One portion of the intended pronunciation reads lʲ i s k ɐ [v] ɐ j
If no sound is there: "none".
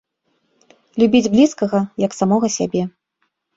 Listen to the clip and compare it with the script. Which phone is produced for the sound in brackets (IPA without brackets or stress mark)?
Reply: ɣ